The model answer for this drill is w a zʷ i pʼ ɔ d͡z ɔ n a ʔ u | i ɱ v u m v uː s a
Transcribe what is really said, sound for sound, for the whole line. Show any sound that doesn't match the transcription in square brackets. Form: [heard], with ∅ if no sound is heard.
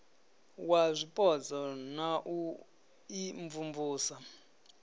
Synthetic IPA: w a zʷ i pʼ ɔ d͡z ɔ n a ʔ u | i ɱ v u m v uː s a